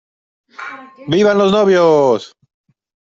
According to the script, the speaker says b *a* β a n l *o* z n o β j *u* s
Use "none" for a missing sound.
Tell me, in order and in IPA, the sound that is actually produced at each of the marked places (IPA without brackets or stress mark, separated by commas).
i, o, o